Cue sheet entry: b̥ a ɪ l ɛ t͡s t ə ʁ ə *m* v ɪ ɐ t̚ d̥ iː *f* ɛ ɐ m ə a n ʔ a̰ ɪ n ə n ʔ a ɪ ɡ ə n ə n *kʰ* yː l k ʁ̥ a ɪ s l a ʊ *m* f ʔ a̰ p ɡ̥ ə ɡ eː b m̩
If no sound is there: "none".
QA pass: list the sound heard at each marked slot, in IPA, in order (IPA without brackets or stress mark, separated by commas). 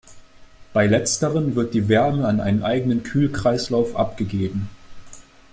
n, v, kʰ, none